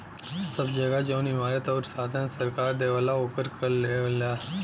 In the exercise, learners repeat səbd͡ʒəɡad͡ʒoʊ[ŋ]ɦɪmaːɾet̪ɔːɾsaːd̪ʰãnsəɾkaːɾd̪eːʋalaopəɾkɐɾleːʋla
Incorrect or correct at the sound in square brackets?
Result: incorrect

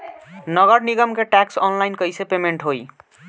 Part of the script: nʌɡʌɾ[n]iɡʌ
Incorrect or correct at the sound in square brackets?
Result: correct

